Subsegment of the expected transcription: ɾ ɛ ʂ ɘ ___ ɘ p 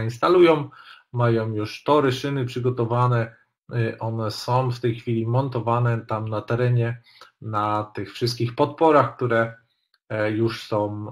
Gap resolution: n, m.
n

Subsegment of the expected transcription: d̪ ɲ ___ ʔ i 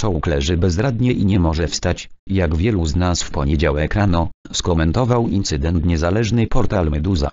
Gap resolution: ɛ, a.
ɛ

